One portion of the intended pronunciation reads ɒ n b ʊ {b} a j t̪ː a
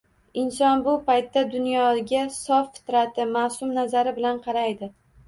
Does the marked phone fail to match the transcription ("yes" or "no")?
yes